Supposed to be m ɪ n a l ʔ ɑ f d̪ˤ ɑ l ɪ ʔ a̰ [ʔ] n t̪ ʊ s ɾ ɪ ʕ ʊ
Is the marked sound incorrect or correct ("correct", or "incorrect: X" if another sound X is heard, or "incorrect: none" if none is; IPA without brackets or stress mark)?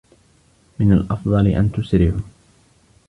incorrect: none